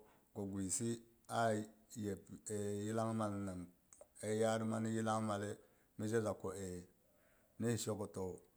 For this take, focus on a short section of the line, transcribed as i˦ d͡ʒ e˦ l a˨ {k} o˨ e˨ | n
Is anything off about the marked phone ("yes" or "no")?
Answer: no